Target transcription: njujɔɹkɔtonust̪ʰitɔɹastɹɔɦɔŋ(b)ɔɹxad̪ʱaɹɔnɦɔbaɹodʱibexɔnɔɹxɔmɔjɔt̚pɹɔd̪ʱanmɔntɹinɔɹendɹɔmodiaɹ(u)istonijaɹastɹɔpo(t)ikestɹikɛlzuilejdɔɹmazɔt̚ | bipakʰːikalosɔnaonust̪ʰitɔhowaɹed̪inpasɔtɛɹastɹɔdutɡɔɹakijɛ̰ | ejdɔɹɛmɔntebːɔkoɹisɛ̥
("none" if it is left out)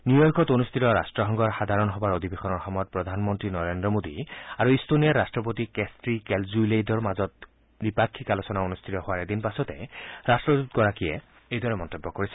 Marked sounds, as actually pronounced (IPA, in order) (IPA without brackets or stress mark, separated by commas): ɡ, u, t